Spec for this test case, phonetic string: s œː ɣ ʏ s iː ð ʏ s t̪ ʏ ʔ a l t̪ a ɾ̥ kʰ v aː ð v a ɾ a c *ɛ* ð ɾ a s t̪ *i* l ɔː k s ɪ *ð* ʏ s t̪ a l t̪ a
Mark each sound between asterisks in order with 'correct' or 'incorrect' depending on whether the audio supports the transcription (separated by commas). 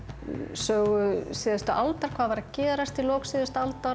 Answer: incorrect, correct, correct